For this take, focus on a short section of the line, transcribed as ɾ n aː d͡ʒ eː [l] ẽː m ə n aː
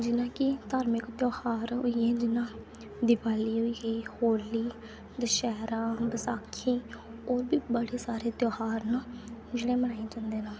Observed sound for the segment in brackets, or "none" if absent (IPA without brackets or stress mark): ɽ